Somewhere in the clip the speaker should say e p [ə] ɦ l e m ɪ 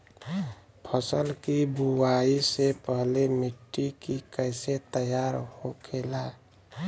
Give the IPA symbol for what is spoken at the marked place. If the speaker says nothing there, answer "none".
ə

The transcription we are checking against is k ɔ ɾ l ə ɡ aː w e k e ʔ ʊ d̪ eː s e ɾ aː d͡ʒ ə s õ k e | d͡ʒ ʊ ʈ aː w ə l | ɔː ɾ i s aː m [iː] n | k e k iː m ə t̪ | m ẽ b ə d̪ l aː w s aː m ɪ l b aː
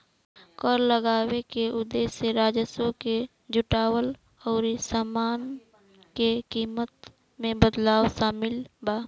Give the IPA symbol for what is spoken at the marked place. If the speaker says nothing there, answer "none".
aː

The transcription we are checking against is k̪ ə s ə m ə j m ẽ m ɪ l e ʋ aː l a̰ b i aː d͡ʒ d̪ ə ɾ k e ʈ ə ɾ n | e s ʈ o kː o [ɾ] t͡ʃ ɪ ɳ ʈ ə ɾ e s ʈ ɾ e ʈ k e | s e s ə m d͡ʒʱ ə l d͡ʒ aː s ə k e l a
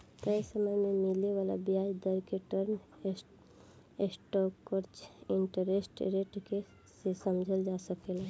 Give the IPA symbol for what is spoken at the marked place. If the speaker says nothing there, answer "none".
ɾ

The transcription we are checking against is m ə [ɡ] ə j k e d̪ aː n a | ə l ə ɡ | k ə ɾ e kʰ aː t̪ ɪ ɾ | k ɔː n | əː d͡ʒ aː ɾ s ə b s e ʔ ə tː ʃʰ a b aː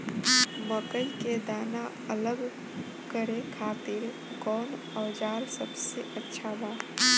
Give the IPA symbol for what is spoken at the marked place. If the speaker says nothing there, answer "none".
k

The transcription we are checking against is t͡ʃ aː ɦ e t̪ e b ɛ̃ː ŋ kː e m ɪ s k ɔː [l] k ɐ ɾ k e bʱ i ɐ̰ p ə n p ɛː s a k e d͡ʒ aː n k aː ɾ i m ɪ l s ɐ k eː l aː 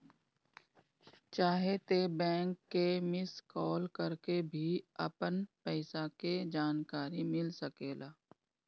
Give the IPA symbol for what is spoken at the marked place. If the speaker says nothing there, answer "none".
l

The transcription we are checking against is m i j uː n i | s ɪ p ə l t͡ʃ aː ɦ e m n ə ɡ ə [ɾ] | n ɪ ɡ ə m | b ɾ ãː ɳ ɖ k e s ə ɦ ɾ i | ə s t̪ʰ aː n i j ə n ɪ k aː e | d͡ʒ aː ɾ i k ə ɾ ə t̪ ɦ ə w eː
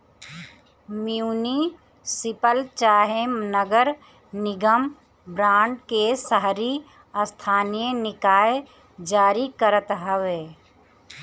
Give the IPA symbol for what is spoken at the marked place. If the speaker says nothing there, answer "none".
ɾ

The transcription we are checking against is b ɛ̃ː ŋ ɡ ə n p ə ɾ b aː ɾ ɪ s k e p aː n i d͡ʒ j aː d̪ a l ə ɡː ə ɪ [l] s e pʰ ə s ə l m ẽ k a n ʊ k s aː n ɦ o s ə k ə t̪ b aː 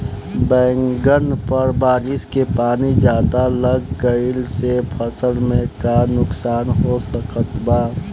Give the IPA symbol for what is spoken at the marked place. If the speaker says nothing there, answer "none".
l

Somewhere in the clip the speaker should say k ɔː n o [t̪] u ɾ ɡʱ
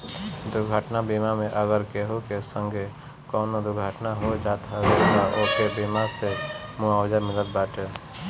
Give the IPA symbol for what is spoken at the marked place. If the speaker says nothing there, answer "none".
d̪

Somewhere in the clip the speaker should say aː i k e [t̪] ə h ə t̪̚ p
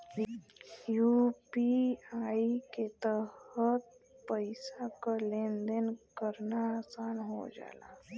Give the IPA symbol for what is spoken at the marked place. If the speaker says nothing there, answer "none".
t̪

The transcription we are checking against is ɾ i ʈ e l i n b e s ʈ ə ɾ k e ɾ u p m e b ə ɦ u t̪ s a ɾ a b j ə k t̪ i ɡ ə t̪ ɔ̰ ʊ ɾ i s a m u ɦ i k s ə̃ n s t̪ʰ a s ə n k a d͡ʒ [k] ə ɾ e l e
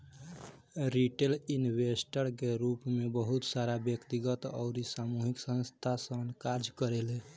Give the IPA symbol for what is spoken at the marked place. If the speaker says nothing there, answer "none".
k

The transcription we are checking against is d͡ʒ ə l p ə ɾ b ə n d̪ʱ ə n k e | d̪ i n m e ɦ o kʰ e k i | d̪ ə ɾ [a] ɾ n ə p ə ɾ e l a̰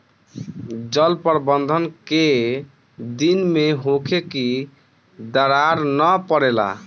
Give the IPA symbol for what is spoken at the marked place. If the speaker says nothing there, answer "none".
a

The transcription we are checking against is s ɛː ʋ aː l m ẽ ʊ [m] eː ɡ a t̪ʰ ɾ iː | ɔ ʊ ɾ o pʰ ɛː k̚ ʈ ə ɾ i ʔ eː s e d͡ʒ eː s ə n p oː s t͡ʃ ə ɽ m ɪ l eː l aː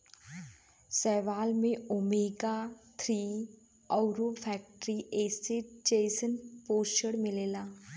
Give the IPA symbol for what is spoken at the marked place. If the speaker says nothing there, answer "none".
m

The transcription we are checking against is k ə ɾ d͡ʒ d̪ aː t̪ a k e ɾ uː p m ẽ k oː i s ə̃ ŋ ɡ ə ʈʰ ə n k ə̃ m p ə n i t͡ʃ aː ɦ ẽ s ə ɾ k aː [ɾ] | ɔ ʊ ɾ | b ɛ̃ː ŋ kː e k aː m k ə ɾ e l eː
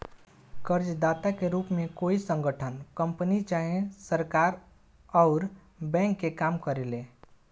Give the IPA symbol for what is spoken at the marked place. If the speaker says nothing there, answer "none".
ɾ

